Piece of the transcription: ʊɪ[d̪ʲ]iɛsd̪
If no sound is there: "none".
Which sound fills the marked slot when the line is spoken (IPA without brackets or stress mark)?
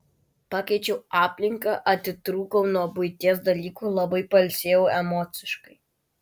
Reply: t̪ʲ